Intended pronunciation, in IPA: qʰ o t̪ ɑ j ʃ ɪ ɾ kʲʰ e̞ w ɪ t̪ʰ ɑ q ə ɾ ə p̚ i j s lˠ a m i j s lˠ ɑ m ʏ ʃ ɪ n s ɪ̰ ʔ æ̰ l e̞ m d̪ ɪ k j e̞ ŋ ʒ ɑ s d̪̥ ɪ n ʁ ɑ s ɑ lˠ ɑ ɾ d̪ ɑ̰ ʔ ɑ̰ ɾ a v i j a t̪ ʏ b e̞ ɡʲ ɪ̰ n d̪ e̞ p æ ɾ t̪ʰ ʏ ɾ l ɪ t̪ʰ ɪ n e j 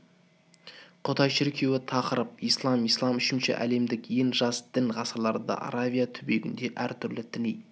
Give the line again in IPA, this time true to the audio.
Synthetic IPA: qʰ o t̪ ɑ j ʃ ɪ ɾ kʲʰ e̞ w ɪ t̪ʰ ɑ q ə ɾ ə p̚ i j s lˠ ɑ m i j s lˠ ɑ m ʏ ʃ ɪ n ʃ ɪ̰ ʔ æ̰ l e̞ m d̪ ɪ k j e̞ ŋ ʒ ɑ s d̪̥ ɪ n ʁ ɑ s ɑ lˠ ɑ ɾ d̪ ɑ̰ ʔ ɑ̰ ɾ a v i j a t̪ʰ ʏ b e̞ ɡʲ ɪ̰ n d̪ e̞ ʔ æ ɾ t̪ʰ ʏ ɾ l ɪ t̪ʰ ɪ n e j

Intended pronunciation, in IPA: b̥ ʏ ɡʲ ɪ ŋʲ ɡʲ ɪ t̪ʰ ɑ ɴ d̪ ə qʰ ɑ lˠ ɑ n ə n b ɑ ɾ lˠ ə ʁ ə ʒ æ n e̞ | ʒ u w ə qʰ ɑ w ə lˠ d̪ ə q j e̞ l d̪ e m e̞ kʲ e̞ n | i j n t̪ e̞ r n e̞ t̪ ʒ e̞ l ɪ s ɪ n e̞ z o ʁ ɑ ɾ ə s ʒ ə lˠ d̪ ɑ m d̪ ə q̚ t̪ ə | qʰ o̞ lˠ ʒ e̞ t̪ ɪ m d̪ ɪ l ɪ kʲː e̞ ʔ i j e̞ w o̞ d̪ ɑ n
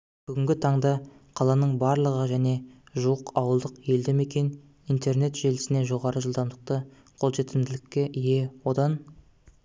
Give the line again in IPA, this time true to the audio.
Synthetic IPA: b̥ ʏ ɡʲ ɪ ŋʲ ɡʲ ɪ t̪ʰ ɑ ɴ d̪ ɑ qʰ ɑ lˠ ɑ n ə ɴ b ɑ ɾ lˠ ə ʁ ə ʒ æ n e̞ | ʒ u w ə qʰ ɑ w ə lˠ d̪ ə q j e̞ l d̪ e m e̞ kʲ e̞ n | i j n t̪ e̞ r n e̞ t̪ ʒ e̞ l ɪ s ɪ n e̞ ʒ o ʁ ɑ ɾ ə ʒ ə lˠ d̪ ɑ m d̪ ə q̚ t̪ ə | qʰ o̞ lˠ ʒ e̞ t̪ ɪ m d̪ ɪ l ɪ kʲː e̞ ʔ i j e̞ w o̞ d̪ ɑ n

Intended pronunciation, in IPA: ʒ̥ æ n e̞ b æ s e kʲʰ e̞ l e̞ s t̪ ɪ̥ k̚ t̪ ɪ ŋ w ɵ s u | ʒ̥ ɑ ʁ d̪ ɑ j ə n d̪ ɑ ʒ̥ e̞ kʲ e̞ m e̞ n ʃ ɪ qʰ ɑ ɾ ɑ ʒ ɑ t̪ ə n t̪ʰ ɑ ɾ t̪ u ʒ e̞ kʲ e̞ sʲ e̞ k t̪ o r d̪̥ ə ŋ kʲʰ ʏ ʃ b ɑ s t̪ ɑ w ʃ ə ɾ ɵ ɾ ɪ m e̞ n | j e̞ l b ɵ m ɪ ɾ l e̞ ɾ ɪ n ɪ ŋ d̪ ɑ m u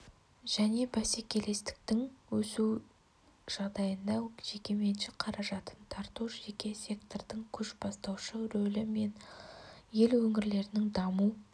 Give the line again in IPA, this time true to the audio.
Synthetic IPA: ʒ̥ æ n e̞ b æ s e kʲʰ e̞ l e̞ s t̪ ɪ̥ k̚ t̪ ɪ ŋ w ɵ s u | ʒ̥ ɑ ʁ d̪ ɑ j ə n d̪ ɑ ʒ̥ e̞ kʲ e̞ m e̞ n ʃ ɪ qʰ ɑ ɾ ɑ ʒ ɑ t̪ ə n t̪ʰ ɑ ɾ t̪ u ʒ e̞ kʲ e̞ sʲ e̞ k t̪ o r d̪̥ ə ŋ kʲʰ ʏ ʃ b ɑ s t̪ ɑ w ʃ ə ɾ ɵ l ɪ m e̞ n | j e̞ l w ɵ ŋ ɪ ɾ l e̞ ɾ ɪ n ɪ ŋ d̪ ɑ m u

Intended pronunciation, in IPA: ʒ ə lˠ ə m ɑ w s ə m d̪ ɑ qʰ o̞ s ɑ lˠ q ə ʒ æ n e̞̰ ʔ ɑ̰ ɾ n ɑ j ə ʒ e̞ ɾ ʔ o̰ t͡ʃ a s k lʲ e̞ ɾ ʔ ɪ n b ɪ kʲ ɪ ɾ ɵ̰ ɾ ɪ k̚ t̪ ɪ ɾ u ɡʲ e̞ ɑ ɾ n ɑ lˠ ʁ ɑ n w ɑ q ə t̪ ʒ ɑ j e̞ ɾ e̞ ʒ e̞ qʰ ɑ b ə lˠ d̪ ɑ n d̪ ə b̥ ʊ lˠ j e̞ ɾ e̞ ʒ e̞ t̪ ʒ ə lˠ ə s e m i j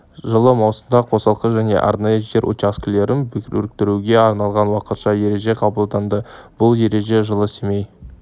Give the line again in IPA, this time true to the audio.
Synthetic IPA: ʒ ə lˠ ə m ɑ w s ə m d̪ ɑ qʰ o̞ s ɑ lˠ q ə ʒ æ n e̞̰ ʔ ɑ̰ ɾ n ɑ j ə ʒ e̞ ɾ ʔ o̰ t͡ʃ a s k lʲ e̞ ɾ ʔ ɪ n b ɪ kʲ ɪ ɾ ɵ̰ ɾ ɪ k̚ t̪ ɪ ɾ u ɡʲ e̞ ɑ ɾ n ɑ lˠ ʁ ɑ n w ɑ q ə t̪ ʃ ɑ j e̞ ɾ e̞ ʒ e̞ qʰ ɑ b ə lˠ d̪ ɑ n d̪ ə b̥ ʊ lˠ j e̞ ɾ e̞ ʒ e̞ ʒ ə lˠ ə s e m e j

